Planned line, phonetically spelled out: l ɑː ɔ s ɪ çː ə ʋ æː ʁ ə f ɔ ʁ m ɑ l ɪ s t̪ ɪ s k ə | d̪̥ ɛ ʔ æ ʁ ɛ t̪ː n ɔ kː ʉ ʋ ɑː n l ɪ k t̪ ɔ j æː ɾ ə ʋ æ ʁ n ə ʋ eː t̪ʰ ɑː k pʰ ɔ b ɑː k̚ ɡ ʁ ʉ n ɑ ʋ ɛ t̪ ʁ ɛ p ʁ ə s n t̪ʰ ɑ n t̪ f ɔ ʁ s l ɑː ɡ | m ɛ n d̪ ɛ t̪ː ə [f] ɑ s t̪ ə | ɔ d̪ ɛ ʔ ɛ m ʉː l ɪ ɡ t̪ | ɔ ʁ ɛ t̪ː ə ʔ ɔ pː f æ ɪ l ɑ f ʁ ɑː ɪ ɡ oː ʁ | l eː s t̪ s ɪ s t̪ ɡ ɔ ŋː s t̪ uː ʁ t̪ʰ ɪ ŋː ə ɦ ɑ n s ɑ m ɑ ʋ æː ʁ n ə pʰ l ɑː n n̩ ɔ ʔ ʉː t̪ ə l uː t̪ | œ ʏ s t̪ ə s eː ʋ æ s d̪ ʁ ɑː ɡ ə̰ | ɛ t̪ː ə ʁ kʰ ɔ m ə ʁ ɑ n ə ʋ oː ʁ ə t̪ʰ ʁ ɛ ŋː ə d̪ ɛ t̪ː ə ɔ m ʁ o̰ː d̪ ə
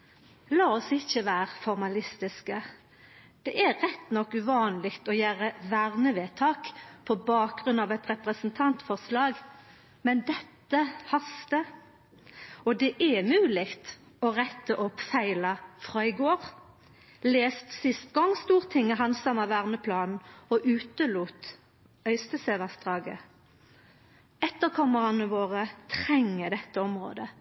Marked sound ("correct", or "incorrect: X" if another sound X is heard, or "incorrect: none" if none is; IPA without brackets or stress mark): incorrect: h